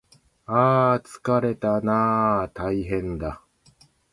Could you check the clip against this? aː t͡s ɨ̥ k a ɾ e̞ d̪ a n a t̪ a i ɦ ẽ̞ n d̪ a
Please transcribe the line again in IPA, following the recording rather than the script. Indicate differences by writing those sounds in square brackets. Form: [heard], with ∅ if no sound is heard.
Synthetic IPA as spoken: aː t͡s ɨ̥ k a ɾ e̞ [t̪] a n a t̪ a i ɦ ẽ̞ n d̪ a